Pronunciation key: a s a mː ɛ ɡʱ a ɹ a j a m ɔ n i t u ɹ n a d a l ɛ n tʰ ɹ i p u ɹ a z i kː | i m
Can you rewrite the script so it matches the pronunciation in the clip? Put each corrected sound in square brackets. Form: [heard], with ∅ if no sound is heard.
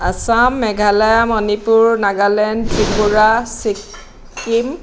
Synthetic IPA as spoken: a s a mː ɛ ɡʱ a [l] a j a m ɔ n i [p] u ɹ n a [ɡ] a l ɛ n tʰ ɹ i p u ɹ a [s] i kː | i m